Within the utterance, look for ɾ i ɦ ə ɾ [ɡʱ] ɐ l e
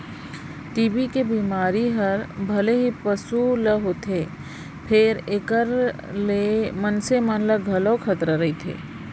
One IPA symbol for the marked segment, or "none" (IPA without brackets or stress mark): bʱ